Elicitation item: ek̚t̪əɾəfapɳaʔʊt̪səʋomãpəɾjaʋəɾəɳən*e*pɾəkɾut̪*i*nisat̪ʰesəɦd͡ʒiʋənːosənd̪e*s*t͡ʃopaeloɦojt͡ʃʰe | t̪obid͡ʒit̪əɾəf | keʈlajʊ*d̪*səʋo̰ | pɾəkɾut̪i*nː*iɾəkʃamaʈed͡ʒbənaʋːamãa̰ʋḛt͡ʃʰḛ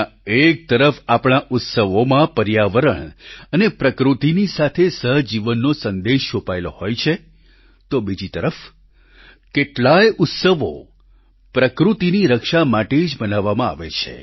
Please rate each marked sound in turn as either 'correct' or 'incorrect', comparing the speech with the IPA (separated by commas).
correct, correct, incorrect, incorrect, incorrect